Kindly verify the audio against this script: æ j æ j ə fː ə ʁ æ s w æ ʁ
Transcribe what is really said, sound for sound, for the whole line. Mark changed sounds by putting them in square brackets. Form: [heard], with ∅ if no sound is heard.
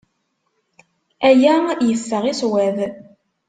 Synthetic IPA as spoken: æ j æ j ə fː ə ʁ [i] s w æ [ð]